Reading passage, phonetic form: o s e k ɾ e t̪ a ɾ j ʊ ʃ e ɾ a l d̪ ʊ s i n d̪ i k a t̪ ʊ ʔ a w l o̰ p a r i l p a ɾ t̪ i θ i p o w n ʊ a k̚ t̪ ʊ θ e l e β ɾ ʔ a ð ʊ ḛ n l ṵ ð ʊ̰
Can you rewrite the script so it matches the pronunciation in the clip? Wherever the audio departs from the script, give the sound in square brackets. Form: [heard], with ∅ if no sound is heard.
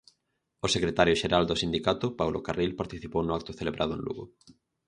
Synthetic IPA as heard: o s e k ɾ e t̪ a ɾ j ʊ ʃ e ɾ a l d̪ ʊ s i n d̪ i k a t̪ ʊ [p] a w l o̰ [k] a r i l p a ɾ t̪ i θ i p o w n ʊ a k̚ t̪ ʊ θ e l e β ɾ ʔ a ð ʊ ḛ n l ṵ [ɣ] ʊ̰